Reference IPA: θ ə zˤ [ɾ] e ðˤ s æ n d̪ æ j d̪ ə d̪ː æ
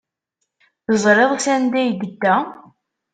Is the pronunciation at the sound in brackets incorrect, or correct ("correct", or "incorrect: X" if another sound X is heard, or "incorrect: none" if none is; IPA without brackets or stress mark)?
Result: correct